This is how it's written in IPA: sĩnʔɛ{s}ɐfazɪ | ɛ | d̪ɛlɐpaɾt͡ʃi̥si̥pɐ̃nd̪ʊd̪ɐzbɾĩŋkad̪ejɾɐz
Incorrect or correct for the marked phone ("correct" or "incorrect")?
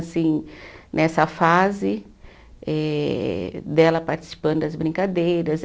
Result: correct